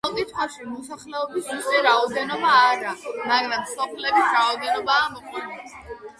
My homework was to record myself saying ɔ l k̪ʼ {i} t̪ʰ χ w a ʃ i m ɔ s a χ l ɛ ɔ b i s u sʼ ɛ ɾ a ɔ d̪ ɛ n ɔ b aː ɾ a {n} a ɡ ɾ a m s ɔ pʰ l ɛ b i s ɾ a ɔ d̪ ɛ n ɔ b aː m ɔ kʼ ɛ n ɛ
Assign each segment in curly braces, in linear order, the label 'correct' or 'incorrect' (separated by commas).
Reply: correct, incorrect